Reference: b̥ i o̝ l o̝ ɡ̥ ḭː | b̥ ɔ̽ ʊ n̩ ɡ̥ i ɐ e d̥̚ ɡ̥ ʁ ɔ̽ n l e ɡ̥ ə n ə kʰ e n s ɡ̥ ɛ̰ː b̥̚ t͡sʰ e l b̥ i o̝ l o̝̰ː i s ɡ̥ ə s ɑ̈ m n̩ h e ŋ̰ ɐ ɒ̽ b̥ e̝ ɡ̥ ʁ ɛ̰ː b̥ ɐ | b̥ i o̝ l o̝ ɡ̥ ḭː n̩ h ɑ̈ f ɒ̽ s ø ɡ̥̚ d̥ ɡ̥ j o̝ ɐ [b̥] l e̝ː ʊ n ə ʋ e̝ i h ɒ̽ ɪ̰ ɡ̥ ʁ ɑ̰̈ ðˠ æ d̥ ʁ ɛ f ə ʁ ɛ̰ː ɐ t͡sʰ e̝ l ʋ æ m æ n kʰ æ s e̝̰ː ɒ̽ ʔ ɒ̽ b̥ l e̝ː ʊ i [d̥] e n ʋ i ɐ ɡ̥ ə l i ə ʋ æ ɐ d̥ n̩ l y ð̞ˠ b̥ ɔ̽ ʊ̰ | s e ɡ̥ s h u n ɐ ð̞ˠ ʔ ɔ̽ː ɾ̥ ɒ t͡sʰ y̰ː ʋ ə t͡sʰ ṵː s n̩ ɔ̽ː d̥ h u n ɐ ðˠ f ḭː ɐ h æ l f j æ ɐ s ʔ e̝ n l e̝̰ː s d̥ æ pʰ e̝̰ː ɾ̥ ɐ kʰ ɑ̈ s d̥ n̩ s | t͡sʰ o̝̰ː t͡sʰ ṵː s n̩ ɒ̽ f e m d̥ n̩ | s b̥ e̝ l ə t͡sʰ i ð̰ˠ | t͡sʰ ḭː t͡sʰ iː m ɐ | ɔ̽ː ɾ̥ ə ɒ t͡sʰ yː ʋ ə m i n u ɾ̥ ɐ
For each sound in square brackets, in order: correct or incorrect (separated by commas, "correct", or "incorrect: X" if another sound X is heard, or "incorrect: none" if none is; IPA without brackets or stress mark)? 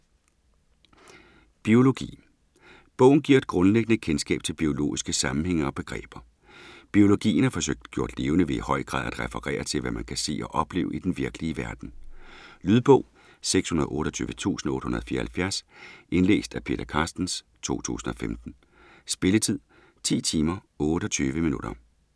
incorrect: d̥, correct